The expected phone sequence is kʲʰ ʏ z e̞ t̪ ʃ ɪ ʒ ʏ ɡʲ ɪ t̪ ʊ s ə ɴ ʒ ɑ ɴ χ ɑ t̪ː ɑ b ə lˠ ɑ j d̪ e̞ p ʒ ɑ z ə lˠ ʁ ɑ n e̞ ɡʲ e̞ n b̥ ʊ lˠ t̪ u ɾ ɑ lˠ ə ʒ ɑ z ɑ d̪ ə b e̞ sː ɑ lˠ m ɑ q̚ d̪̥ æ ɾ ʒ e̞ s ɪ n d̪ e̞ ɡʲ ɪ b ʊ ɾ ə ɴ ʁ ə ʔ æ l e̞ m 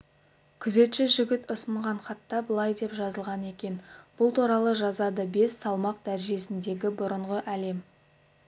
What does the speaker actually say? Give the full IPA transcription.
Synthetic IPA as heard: kʲʰ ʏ z e̞ t̪ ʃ ɪ ʒ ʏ ɡʲ ɪ t̪ ʊ s ə ɴ ʁ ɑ ɴ χ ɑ t̪ː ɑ b ə lˠ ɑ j d̪ e̞ p ʒ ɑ z ə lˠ ʁ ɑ n e̞ kʲ e̞ n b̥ ʊ lˠ t̪ u ɾ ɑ lˠ ə ʒ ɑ z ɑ d̪ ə b e̞ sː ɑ lˠ m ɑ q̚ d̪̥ æ ɾ ʒ e̞ s ɪ n d̪ e̞ ɡʲ ɪ b ʊ ɾ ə ɴ ʁ ə ʔ æ l e̞ m